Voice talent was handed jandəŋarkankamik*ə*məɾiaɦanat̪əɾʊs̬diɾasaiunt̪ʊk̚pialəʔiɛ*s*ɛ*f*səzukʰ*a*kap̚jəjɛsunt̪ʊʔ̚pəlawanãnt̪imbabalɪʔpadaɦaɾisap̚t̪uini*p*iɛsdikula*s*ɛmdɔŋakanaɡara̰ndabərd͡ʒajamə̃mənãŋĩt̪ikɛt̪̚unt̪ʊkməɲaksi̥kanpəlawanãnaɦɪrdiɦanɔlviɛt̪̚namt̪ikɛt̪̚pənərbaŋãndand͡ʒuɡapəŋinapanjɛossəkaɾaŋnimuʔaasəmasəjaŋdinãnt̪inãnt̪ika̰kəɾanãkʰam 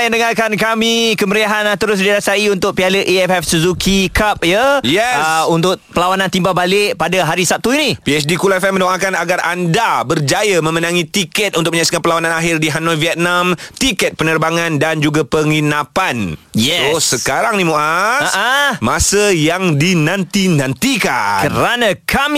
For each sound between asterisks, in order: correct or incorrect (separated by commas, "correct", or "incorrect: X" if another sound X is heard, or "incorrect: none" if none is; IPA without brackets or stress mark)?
correct, incorrect: f, correct, incorrect: i, correct, incorrect: f